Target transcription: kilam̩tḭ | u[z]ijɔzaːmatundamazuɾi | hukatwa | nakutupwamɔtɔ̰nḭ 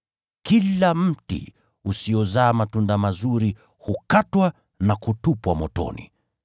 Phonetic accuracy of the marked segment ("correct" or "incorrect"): incorrect